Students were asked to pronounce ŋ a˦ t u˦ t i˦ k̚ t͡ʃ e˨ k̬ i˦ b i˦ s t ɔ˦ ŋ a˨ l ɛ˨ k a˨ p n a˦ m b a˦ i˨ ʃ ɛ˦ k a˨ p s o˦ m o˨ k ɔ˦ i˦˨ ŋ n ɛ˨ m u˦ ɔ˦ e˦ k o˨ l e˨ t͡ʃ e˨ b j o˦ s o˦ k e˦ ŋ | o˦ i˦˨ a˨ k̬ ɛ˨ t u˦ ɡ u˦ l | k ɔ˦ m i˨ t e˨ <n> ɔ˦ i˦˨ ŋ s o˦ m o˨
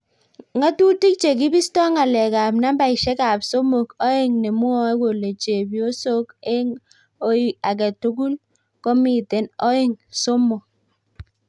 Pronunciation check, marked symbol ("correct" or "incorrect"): correct